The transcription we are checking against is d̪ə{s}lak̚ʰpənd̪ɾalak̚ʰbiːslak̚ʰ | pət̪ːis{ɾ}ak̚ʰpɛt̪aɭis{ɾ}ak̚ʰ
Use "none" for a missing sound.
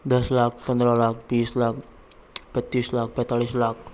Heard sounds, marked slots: s, l, l

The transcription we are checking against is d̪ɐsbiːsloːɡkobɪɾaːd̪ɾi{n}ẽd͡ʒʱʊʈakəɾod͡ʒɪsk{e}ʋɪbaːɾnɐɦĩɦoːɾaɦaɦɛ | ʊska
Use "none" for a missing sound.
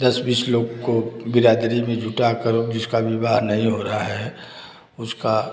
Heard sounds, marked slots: m, a

